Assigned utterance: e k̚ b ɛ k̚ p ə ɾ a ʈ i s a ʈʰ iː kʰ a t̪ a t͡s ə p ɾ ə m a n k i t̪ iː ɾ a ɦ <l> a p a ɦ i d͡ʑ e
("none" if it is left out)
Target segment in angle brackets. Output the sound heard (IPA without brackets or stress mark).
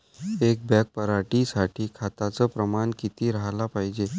l